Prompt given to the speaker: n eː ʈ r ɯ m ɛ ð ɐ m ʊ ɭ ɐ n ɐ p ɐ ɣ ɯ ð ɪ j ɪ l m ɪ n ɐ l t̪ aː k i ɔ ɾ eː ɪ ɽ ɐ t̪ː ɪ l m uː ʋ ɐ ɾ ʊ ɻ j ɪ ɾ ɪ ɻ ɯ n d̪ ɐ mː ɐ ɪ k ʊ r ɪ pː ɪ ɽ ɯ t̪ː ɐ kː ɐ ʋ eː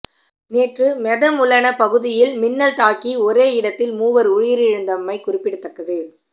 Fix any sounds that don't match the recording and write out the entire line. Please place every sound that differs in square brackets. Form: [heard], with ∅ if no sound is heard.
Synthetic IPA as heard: n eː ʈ r ɯ m ɛ ð ɐ m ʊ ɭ ɐ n ɐ p ɐ ɣ ɯ ð ɪ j ɪ l m ɪ [nː] ɐ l t̪ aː k i ɔ ɾ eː ɪ ɽ ɐ t̪ː ɪ l m uː ʋ ɐ ɾ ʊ ɻ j ɪ ɾ ɪ ɻ ɯ n d̪ ɐ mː ɐ ɪ k ʊ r ɪ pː ɪ ɽ ɯ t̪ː ɐ kː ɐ ʋ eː